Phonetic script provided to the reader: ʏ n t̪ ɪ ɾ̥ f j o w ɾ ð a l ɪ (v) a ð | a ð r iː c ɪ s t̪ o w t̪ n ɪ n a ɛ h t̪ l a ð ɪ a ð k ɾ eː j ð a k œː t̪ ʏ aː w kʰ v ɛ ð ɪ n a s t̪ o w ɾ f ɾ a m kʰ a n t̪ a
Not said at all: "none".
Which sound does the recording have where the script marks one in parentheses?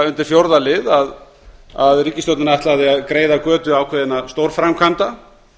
ð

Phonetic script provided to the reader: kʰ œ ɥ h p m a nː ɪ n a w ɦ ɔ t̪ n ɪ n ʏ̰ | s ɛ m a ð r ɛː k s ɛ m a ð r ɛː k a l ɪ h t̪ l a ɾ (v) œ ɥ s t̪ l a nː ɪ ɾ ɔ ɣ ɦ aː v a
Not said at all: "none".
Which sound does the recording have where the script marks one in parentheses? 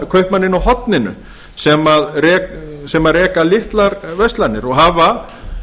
v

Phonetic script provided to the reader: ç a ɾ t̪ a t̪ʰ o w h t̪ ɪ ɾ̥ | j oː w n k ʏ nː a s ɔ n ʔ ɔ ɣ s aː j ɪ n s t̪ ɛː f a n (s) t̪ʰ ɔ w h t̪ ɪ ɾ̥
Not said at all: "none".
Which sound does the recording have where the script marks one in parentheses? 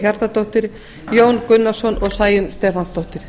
s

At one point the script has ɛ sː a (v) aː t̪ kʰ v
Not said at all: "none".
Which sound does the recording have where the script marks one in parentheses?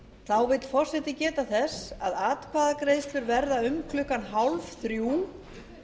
ð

